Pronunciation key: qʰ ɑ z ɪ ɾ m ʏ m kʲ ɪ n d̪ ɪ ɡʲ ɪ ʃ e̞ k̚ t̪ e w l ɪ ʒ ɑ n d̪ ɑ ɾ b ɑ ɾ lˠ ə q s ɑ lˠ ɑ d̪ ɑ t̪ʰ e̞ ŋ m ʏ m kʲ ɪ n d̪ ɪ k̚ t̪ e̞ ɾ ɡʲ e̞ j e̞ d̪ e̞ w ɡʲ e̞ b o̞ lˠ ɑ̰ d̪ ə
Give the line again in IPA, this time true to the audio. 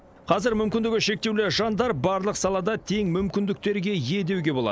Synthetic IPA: qʰ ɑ z ɪ ɾ m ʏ m kʲ ɪ n d̪ ɪ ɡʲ ɪ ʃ e̞ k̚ t̪ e w l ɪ ʒ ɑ n d̪ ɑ ɾ b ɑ ɾ lˠ ə q s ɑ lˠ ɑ d̪ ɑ t̪ʰ e̞ ŋ m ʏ m kʲ ɪ n d̪ ɪ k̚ t̪ e̞ ɾ ɡʲ e̞ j e̞ d̪ e̞ w ɡʲ e̞ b o̞ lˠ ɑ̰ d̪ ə

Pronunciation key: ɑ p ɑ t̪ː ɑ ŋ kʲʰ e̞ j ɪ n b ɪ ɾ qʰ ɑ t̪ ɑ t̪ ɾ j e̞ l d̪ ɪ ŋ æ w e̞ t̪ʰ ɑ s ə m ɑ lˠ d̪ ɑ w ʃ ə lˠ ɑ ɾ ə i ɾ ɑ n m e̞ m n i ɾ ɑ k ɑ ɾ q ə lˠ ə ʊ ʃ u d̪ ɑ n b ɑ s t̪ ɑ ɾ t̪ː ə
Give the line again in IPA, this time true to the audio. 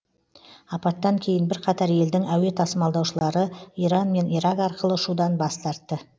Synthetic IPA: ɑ p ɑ t̪ː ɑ ŋ kʲʰ e̞ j ɪ n b ɪ ɾ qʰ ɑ t̪ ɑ ɾ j e̞ l d̪ ɪ ŋ æ w e̞ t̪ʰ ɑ s ə m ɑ lˠ d̪ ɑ w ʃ ə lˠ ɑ ɾ ə i ɾ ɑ n m e̞ n i ɾ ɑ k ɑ ɾ q ə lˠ ə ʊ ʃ u d̪ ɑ n b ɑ s t̪ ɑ ɾ t̪ː ə

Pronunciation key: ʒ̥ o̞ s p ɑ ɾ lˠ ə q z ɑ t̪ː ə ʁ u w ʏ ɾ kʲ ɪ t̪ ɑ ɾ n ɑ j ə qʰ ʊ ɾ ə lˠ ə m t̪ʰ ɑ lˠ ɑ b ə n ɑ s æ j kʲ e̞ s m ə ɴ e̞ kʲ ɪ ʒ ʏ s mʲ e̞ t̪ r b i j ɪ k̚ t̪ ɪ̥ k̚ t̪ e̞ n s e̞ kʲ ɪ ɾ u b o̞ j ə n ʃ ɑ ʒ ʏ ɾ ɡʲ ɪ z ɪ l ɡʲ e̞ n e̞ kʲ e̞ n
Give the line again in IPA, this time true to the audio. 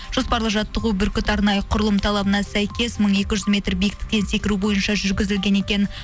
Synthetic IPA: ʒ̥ o̞ s p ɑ ɾ lˠ ə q ʒ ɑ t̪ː ə ʁ u b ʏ ɾ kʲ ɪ t̪ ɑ ɾ n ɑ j ə qʰ ʊ ɾ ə lˠ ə m t̪ʰ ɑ lˠ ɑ b ə n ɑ s æ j kʲ e̞ s m ə ɴ e̞ kʲ ɪ ʒ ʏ z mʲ e̞ t̪ r b i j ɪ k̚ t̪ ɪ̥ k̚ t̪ e̞ n s e̞ kʲ ɪ ɾ u b o̞ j ə n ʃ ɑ ʒ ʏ ɾ ɡʲ ɪ z ɪ l ɡʲ e̞ n e̞ kʲ e̞ n

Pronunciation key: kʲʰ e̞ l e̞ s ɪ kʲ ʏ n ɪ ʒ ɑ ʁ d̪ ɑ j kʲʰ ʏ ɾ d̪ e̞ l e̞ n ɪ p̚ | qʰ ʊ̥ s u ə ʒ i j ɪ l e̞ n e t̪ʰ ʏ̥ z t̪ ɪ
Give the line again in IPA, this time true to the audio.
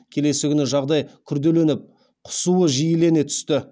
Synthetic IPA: kʲʰ e̞ l e̞ s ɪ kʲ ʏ n ɪ ʒ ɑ ʁ d̪ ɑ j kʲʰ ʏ ɾ d̪ e̞ l e̞ n ɪ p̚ | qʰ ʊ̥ s u ə ʒ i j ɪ l e̞ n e t̪ʰ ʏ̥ s t̪ ɪ

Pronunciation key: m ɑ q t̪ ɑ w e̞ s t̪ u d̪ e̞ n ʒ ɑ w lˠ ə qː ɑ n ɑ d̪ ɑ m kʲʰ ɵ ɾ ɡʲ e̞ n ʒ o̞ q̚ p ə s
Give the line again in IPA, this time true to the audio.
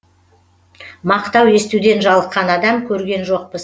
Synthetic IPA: m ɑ q t̪ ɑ w e̞ s t̪ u d̪ e̞ n ʒ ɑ lˠ ə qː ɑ n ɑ d̪ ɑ m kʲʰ ɵ ɾ ɡʲ e̞ n ʒ o̞ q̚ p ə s

